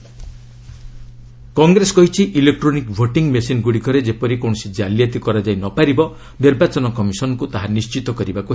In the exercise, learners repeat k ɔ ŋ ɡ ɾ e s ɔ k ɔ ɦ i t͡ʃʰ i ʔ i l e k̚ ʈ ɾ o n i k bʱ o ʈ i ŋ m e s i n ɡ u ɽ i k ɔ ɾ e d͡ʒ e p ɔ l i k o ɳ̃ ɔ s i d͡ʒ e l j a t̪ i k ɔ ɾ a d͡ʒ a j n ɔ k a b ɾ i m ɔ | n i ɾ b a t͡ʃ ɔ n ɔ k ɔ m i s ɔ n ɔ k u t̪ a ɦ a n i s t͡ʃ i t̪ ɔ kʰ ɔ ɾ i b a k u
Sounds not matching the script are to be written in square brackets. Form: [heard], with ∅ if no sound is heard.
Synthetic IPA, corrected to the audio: k ɔ ŋ ɡ ɾ e s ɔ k ɔ ɦ i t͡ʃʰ i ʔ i l e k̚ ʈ ɾ o n i k bʱ o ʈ i ŋ m e s i n ɡ u ɽ i k ɔ ɾ e d͡ʒ e p ɔ [ɾ] i k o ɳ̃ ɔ s i d͡ʒ [a] l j a t̪ i k ɔ ɾ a d͡ʒ a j n ɔ [p] a [∅] ɾ i [b] ɔ | n i ɾ b a t͡ʃ ɔ n ɔ k ɔ m i s ɔ n ɔ k u t̪ a ɦ a n i s t͡ʃ i t̪ ɔ [k] ɔ ɾ i b a k u

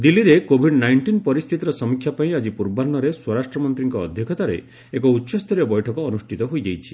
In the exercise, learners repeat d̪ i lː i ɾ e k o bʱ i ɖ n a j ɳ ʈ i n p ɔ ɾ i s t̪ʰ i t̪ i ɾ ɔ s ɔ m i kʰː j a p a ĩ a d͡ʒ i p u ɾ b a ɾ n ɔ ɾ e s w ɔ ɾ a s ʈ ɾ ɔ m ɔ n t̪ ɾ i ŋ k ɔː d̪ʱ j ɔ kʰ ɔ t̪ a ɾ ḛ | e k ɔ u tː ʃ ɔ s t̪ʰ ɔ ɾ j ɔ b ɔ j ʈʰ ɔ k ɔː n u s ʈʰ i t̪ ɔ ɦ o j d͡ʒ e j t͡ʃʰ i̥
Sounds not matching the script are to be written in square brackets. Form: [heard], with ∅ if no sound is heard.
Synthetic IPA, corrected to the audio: d̪ i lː i ɾ e k o bʱ i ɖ n a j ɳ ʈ i n p ɔ ɾ i s t̪ʰ i t̪ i ɾ ɔ s ɔ m i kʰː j a p a ĩ a d͡ʒ i p u ɾ b a ɾ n ɔ ɾ e s w ɔ ɾ a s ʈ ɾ ɔ m ɔ n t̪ ɾ i ŋ k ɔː d̪ʱ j ɔ kʰ ɔ t̪ a ɾ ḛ | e k ɔ u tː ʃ ɔ s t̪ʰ ɔ ɾ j ɔ b ɔ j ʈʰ ɔ k ɔː n u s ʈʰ i t̪ ɔ ɦ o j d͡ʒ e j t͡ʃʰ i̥

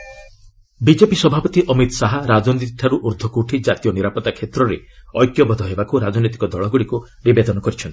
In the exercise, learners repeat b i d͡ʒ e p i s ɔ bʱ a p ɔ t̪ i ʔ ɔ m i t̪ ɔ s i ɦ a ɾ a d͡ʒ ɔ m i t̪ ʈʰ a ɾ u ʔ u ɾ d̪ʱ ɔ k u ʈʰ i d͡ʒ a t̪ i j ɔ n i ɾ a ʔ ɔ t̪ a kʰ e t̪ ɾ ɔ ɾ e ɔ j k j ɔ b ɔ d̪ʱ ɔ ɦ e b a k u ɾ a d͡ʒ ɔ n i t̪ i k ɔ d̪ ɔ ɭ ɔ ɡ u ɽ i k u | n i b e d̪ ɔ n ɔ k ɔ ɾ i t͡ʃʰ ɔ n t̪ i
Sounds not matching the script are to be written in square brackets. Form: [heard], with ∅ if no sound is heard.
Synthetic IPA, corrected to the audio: b i d͡ʒ e p i s ɔ bʱ a p ɔ t̪ i ʔ ɔ m i t̪ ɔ s [a] ɦ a ɾ a d͡ʒ ɔ [n] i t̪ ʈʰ a ɾ u ʔ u ɾ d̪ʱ ɔ k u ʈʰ i d͡ʒ a t̪ i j ɔ n i ɾ a [p] ɔ t̪ a kʰ e t̪ ɾ ɔ ɾ e ɔ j k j ɔ b ɔ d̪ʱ ɔ ɦ e b a k u ɾ a d͡ʒ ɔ n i t̪ i k ɔ d̪ ɔ ɭ ɔ ɡ u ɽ i k u | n i b e d̪ ɔ n ɔ k ɔ ɾ i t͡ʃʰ ɔ n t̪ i

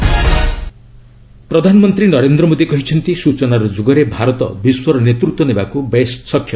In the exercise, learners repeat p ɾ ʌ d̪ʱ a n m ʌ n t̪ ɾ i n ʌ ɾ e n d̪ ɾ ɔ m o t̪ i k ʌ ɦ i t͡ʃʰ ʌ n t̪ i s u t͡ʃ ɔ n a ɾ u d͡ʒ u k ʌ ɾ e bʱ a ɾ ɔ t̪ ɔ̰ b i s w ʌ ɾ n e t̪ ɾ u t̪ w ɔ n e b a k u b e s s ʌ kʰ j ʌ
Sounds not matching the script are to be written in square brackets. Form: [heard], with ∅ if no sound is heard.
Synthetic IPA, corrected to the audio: p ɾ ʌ d̪ʱ a n m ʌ n t̪ ɾ i n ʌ ɾ e n d̪ ɾ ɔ m o [d̪] i k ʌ ɦ i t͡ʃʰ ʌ n t̪ i s u t͡ʃ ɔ n a ɾ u d͡ʒ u [ɡ] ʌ ɾ e bʱ a ɾ ɔ t̪ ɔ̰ b i s w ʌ ɾ n e t̪ ɾ u t̪ w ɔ n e b a k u b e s s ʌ kʰ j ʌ

